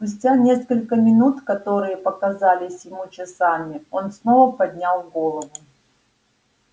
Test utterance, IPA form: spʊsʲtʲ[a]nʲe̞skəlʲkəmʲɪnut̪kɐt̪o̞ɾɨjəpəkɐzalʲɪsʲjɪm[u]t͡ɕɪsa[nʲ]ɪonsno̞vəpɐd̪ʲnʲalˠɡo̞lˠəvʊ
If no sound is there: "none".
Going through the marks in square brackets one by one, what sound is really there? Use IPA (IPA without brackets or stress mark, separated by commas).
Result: a, u, mʲ